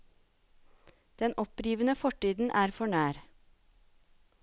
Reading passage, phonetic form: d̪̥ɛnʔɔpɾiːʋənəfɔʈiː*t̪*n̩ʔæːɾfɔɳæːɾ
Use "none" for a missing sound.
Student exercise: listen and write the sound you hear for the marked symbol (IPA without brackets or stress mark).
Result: d̪